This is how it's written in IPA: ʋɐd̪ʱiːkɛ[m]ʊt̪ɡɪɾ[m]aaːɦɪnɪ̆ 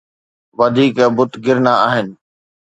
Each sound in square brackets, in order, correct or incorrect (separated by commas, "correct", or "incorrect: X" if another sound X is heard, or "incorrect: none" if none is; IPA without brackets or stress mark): incorrect: b, incorrect: n